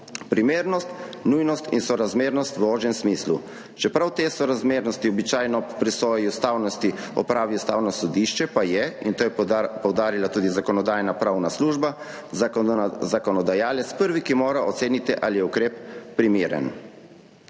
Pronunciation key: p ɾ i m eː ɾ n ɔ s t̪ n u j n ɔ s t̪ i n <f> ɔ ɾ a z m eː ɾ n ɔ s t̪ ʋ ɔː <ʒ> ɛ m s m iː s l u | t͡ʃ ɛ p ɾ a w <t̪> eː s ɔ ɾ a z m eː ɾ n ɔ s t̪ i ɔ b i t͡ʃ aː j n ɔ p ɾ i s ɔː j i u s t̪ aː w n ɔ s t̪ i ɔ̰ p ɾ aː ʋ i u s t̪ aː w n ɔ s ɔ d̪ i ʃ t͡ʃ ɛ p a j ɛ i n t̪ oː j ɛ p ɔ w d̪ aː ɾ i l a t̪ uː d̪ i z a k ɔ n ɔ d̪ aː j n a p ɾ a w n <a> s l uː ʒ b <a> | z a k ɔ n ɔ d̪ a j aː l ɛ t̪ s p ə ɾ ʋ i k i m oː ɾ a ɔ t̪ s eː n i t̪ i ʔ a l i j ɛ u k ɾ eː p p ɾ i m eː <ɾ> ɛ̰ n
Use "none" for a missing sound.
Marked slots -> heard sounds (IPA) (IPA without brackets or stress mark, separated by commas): s, ʒ, t̪, a, a, ɾ